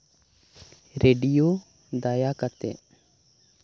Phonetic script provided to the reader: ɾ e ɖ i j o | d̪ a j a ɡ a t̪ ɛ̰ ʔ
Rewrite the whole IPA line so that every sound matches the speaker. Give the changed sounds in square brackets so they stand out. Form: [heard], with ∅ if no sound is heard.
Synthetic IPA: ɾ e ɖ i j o | d̪ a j a [k] a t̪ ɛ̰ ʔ